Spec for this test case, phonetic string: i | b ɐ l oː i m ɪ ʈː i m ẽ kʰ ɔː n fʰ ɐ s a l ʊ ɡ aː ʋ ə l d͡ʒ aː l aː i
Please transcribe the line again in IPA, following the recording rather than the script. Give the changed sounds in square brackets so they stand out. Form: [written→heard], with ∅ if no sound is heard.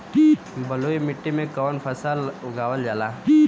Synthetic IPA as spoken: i | b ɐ l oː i m ɪ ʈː i m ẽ [kʰ→k] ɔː n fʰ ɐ s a l ʊ ɡ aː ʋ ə l d͡ʒ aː l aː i